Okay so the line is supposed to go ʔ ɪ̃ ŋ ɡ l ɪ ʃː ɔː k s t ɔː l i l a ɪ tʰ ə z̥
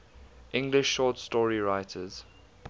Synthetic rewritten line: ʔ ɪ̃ ŋ ɡ l ɪ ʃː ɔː t s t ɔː ɹ i ɹ a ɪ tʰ ə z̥